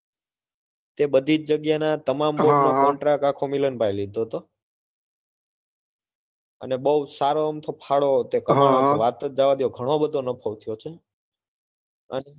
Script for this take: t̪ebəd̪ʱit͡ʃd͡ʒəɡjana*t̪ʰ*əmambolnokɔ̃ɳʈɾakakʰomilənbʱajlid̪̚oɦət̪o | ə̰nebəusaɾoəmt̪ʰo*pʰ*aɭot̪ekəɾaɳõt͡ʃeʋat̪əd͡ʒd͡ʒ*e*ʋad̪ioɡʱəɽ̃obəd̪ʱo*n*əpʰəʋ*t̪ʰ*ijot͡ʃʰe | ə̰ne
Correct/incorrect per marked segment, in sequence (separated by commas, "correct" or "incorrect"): incorrect, correct, incorrect, correct, correct